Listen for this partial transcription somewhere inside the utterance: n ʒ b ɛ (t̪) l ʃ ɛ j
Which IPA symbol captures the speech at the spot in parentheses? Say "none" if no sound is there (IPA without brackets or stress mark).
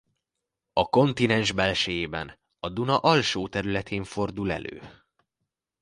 none